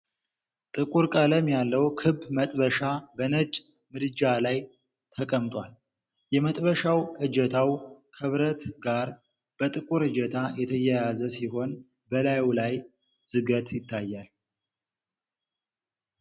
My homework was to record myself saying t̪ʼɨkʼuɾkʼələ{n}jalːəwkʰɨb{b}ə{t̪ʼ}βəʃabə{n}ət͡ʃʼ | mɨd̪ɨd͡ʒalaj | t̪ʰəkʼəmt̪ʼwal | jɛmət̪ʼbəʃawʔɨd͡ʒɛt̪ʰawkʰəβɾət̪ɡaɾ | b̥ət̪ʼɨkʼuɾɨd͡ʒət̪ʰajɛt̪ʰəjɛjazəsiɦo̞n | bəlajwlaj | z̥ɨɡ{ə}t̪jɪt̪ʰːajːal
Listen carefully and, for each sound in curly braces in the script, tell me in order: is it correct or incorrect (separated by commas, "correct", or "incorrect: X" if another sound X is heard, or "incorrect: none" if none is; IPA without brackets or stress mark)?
incorrect: m, incorrect: m, correct, correct, correct